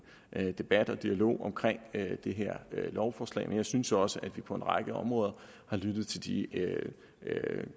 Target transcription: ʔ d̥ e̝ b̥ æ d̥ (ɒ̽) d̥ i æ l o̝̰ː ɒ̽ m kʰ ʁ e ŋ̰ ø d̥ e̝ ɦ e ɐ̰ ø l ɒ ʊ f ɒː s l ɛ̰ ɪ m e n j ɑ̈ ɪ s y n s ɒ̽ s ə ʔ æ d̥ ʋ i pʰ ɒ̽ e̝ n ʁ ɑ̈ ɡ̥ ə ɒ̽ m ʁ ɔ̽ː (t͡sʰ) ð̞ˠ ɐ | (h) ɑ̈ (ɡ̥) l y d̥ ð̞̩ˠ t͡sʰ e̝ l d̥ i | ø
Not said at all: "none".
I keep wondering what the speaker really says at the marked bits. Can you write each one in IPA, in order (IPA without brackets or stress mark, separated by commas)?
ɒ̽, none, h, none